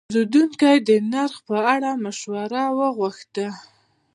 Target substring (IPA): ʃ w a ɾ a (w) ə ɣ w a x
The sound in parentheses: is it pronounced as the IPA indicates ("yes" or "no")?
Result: yes